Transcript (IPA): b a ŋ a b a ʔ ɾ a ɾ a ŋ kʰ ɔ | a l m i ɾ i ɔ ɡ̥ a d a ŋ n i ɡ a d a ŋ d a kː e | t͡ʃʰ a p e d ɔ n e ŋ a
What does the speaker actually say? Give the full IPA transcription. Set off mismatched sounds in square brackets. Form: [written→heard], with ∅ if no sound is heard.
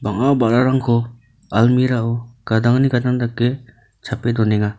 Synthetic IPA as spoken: b a ŋ a b a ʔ ɾ a ɾ a ŋ kʰ ɔ | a l m i ɾ [i→a] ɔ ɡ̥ a d a ŋ n i ɡ a d a ŋ d a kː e | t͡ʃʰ a p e d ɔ n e ŋ a

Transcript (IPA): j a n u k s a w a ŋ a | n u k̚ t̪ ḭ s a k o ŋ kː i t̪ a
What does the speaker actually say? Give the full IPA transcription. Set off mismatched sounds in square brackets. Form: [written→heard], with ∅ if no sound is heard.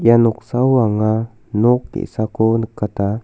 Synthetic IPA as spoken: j a n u k s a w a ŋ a | n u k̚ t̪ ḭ s a k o [ŋ→n] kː [i→a] t̪ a

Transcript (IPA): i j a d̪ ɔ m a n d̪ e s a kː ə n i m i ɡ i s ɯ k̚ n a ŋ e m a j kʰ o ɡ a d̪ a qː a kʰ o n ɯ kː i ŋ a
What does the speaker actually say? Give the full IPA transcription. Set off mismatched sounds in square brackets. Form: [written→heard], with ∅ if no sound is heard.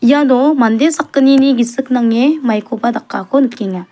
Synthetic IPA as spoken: i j a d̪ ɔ m a n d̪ e s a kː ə n i [m→n] i ɡ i s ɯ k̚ n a ŋ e m a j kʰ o [ɡ→b] a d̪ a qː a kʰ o n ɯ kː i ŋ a

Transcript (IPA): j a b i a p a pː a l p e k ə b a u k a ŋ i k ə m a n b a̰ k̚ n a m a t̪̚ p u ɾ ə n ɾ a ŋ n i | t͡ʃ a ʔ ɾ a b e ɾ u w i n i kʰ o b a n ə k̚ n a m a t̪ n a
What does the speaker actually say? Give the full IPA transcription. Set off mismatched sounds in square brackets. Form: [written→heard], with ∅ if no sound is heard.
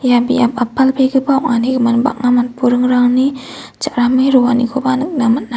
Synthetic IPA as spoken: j a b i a p a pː a l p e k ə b a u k a [ŋ→n] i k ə m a n b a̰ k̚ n a m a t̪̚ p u ɾ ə [n→ŋ] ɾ a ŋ n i | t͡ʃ a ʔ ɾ a [b→m] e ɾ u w [i→a] n i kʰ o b a n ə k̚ n a m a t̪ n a

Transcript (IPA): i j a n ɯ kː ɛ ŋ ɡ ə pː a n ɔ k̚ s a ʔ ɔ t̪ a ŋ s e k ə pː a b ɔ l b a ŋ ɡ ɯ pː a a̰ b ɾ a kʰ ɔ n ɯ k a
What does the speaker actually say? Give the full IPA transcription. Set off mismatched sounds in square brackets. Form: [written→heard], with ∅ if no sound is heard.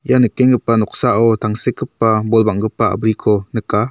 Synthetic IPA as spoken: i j a n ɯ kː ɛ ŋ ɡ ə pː a n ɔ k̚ s a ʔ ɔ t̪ a ŋ s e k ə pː a b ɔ l b a ŋ ɡ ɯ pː a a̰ b ɾ [a→i] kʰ ɔ n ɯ k a

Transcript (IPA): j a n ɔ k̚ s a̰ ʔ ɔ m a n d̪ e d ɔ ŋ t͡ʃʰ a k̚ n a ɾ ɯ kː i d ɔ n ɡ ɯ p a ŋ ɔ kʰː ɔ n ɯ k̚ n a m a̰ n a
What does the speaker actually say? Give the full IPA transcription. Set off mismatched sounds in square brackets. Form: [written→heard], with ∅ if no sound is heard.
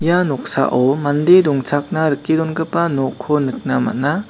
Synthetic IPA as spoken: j a n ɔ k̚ s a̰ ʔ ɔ m a n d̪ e d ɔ ŋ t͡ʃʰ a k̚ n a ɾ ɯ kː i d ɔ n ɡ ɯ p a [ŋ→n] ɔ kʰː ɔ n ɯ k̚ n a m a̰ n a

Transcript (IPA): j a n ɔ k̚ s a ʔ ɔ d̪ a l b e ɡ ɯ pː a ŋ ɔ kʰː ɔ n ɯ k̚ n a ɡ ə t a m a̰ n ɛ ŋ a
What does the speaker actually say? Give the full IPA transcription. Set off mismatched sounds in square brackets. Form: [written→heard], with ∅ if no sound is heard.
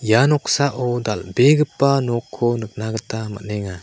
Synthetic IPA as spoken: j a n ɔ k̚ s a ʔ ɔ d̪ a l b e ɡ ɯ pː a [ŋ→n] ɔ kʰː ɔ n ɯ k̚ n a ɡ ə t a m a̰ n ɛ ŋ a

